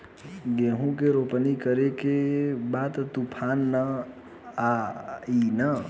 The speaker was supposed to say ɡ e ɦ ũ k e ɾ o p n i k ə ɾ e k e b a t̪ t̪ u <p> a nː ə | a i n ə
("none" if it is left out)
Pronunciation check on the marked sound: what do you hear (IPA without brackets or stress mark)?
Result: pʰ